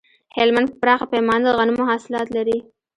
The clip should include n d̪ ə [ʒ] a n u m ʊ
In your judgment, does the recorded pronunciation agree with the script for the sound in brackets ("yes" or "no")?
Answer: no